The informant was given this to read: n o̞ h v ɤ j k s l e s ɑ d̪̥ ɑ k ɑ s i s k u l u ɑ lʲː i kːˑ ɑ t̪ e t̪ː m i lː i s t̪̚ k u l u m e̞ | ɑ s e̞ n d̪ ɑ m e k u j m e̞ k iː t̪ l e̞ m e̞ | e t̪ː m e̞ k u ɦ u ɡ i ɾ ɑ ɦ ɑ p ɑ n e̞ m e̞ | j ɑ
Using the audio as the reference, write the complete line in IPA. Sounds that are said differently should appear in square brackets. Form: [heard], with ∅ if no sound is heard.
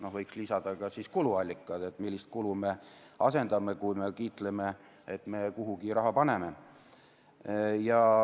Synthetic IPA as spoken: n o̞ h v ɤ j k s l [i] s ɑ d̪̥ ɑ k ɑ s i s k u l u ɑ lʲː i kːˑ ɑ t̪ e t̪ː m i lː i s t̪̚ k u l u m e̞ | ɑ s e̞ n d̪ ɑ m e k u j m e̞ k iː t̪ l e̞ m e̞ | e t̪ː m e̞ k u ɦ u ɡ i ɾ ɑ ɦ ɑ p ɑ n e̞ m e̞ | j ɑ

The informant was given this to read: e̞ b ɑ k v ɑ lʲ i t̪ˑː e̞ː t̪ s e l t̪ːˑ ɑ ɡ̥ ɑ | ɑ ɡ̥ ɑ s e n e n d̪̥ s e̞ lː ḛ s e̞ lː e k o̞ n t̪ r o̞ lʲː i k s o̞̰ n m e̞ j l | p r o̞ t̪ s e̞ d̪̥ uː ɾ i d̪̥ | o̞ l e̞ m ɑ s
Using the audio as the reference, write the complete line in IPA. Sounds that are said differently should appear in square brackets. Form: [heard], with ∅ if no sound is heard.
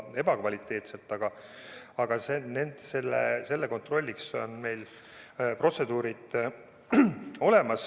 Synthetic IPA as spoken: e̞ b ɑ k v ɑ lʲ i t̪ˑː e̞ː t̪ s e l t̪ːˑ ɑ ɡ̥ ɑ | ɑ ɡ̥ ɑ s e n e n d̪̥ s e̞ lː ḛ s e̞ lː e k o̞ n t̪ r o̞ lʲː i k s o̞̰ n m e̞ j l | p r o̞ t̪ s e̞ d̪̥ uː ɾ i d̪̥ | o̞ l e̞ m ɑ s

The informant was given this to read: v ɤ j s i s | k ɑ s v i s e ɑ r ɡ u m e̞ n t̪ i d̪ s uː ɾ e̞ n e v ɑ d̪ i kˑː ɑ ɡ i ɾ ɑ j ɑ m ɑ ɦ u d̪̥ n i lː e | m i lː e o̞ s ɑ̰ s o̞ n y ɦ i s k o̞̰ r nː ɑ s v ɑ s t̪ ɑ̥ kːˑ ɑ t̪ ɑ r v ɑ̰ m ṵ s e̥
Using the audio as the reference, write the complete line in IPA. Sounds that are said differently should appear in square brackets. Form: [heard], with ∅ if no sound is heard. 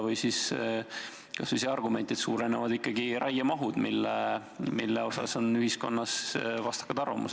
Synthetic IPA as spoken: v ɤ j s i s | k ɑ s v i s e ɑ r ɡ u m e̞ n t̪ i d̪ s uː ɾ e̞ n e v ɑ d̪ i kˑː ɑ ɡ i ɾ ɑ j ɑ m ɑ ɦ u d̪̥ [m] i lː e | m i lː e o̞ s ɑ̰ s o̞ n y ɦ i s k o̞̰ [∅] nː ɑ s v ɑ s t̪ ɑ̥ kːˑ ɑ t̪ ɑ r v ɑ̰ m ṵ s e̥

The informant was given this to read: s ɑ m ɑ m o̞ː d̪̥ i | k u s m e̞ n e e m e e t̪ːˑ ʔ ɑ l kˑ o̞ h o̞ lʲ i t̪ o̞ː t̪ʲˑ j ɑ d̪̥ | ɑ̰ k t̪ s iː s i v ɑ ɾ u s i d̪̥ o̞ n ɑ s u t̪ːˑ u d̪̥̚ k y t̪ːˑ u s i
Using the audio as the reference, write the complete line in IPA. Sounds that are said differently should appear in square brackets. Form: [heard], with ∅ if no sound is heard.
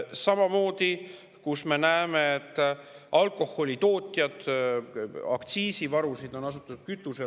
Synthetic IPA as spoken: s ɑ m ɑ m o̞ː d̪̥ i | k u s m e̞ n [æ] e m e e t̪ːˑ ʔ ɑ l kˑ o̞ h o̞ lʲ i t̪ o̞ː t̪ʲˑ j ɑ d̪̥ | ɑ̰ k t̪ s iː s i v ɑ ɾ u s i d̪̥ o̞ n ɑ s u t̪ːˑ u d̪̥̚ k y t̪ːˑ u s [e]

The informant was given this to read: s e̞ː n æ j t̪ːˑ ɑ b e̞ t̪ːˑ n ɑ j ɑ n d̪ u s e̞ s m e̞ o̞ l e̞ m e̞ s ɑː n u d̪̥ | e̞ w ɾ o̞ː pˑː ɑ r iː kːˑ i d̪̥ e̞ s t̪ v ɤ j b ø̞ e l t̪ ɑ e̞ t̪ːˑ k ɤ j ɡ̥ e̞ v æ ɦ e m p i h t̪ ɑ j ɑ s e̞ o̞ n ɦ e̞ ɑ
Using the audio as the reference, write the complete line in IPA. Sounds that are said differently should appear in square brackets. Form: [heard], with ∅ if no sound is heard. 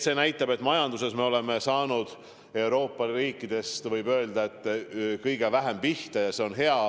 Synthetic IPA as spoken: s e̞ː n æ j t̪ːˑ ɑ b e̞ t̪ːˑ [m] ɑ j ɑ n d̪ u s e̞ s m e̞ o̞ l e̞ m e̞ s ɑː n u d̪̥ | e̞ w ɾ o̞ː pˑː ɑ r iː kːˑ i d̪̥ e̞ s t̪ v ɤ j b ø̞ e l [d̪] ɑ e̞ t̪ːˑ k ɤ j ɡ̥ e̞ v æ ɦ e m p i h t̪ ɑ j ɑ s e̞ o̞ n ɦ e̞ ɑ

